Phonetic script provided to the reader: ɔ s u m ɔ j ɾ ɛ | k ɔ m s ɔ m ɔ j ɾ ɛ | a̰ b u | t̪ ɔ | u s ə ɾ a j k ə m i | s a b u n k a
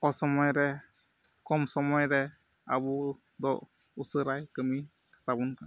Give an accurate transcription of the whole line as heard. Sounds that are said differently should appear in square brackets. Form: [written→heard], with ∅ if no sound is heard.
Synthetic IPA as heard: ɔ s [u→ɔ] m ɔ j ɾ ɛ | k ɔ m s ɔ m ɔ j ɾ ɛ | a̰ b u | [t̪→d̪] ɔ | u s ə ɾ a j k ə m i | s a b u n k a